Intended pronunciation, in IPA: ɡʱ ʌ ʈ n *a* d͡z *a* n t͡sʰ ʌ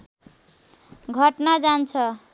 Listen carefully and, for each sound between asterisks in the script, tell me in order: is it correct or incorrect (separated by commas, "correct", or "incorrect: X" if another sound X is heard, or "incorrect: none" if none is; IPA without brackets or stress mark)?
correct, correct